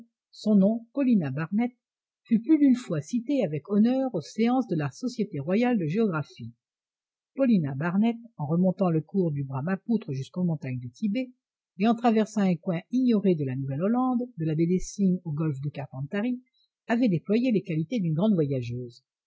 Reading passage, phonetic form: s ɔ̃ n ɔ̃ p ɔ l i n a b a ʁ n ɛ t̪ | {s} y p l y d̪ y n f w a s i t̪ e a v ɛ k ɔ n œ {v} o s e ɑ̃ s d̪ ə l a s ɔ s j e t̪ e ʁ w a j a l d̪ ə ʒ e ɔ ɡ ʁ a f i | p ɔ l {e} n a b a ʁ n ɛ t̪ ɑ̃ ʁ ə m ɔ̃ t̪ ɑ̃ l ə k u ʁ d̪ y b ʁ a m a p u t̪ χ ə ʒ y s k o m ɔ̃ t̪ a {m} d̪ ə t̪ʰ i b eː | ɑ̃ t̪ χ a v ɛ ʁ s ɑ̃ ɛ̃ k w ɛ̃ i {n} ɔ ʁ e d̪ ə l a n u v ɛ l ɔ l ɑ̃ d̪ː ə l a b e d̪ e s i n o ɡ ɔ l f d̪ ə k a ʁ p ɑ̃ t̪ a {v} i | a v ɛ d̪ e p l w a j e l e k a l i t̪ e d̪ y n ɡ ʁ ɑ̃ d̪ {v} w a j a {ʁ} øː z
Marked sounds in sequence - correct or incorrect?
incorrect: f, incorrect: ʁ, incorrect: i, incorrect: ɲ, incorrect: ɲ, incorrect: ʁ, correct, incorrect: ʒ

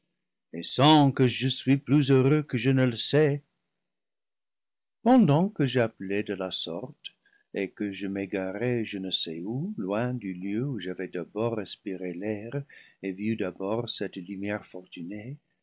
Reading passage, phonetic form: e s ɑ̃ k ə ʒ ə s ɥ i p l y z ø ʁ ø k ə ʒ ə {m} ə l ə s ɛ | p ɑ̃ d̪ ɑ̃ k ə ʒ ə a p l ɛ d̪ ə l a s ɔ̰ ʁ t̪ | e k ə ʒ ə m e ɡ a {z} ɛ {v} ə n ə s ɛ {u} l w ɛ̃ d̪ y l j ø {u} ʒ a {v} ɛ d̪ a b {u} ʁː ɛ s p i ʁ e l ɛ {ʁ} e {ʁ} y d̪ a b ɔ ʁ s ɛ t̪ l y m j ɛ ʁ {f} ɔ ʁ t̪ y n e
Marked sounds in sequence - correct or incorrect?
incorrect: n, incorrect: ʁ, incorrect: ʒ, correct, correct, correct, incorrect: ɔ, correct, incorrect: v, correct

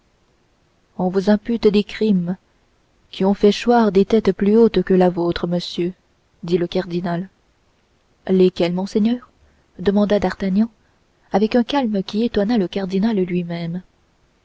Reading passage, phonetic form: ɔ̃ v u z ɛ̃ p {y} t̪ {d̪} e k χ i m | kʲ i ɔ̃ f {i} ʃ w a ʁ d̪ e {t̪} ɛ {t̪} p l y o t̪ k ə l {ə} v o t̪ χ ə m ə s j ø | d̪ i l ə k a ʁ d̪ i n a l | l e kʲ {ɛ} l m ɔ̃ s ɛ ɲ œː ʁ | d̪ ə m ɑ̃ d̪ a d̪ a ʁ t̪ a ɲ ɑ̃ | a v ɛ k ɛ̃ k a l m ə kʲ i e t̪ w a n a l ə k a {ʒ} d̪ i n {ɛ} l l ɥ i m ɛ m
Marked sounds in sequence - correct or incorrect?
correct, correct, incorrect: ɛ, correct, correct, incorrect: a, correct, incorrect: ʁ, incorrect: a

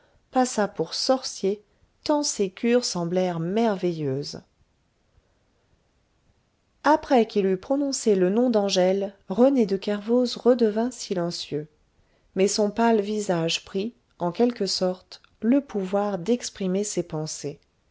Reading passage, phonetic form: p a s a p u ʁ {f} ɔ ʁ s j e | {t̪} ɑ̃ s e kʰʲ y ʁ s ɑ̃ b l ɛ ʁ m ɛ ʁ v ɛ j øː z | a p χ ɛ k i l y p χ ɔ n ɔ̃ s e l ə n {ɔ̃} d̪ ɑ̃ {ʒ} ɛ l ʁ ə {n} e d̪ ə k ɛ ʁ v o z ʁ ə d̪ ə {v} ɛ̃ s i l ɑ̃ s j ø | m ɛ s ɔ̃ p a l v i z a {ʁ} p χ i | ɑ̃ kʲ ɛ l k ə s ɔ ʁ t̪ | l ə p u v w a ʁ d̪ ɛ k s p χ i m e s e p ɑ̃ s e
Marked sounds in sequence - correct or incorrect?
incorrect: s, correct, correct, correct, correct, correct, incorrect: ʒ

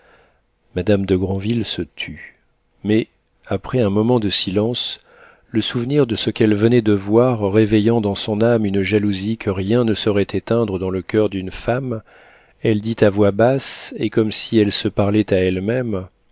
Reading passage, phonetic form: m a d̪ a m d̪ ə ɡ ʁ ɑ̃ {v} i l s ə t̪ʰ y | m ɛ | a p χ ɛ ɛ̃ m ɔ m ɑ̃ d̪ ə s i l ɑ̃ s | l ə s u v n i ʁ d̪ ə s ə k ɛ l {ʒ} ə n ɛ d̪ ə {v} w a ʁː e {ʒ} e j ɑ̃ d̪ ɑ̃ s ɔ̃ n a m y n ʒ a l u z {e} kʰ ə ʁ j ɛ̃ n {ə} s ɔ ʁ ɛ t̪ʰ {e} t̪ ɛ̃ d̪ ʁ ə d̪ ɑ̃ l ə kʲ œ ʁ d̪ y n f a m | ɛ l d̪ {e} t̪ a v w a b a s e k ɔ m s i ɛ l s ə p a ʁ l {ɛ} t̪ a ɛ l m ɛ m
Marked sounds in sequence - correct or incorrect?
correct, incorrect: v, correct, incorrect: v, incorrect: i, correct, correct, incorrect: i, correct

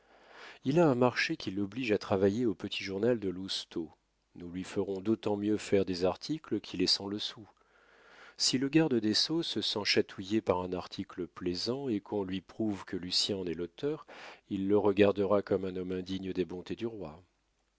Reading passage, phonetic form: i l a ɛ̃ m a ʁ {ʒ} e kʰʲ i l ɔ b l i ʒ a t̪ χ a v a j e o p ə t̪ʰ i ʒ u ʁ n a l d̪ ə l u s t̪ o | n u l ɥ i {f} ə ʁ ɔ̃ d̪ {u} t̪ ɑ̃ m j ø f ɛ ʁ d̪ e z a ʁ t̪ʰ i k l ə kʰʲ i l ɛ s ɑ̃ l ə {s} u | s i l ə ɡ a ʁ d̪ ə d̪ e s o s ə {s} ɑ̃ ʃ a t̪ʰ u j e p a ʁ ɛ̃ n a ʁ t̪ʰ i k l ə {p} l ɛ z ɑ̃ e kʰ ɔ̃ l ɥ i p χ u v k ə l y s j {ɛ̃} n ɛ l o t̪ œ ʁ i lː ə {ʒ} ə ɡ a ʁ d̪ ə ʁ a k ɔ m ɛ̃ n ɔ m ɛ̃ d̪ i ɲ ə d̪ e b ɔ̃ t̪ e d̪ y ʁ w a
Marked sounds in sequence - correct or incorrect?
incorrect: ʃ, correct, incorrect: o, correct, correct, correct, correct, incorrect: ʁ

